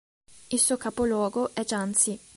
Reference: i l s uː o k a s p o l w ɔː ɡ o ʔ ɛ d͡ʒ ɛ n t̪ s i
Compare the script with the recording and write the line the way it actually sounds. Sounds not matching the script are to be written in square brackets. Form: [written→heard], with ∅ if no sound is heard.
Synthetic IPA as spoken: i l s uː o k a [s→∅] p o l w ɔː ɡ o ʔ ɛ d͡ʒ [ɛ→a] n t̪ s i